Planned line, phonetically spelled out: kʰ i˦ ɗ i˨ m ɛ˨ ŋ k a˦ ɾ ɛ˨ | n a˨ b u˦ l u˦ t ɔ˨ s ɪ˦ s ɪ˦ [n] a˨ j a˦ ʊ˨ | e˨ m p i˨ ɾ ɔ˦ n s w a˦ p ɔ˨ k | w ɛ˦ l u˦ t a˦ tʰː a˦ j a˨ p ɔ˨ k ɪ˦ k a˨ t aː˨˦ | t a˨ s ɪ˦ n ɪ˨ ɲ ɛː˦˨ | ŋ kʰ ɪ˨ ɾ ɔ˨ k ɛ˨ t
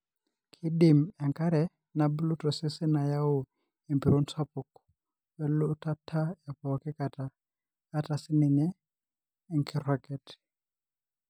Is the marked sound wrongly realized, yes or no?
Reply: no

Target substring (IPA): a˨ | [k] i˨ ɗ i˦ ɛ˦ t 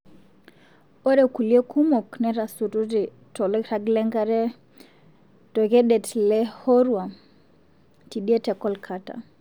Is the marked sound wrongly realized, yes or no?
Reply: yes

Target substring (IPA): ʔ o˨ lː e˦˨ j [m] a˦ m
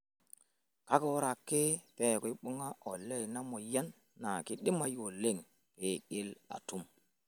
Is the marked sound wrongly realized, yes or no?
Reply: yes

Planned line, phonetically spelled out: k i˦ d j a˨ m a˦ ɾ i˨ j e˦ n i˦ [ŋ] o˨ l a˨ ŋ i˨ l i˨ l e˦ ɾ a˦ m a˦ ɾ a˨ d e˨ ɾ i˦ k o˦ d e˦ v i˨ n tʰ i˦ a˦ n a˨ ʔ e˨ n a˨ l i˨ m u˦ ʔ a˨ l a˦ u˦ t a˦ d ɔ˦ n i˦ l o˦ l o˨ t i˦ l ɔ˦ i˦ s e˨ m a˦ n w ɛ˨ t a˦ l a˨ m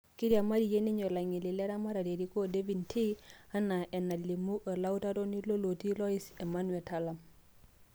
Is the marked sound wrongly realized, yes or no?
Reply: yes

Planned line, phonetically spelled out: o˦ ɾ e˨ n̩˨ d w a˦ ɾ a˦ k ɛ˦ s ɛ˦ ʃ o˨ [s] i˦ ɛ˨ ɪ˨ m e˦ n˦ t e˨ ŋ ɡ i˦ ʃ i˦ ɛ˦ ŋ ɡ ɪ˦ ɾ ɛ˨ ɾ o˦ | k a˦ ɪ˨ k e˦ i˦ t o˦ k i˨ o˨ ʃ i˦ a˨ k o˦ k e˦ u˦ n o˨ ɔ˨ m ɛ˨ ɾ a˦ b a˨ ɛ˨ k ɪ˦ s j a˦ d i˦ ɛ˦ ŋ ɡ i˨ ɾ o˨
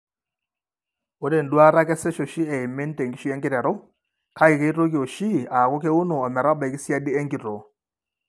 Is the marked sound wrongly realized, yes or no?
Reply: yes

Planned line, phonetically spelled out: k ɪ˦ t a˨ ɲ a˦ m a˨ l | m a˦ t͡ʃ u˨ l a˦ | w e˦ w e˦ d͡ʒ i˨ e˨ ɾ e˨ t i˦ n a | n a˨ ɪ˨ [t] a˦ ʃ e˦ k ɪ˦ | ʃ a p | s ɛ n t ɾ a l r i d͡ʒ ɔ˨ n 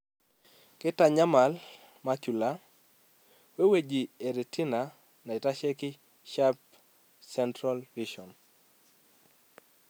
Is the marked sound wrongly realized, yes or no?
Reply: no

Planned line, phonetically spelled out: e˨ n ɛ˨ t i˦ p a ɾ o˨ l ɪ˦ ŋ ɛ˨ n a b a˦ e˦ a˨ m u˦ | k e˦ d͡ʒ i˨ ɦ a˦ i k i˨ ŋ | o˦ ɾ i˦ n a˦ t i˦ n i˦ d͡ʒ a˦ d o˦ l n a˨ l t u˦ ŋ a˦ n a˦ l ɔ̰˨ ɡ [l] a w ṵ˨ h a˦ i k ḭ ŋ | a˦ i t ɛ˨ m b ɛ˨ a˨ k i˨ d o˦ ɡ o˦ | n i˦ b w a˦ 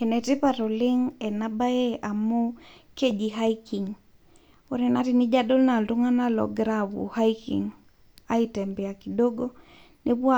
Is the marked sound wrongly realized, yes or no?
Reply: yes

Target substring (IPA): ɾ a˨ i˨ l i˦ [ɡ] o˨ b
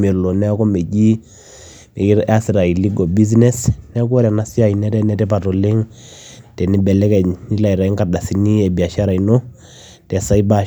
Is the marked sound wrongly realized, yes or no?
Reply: no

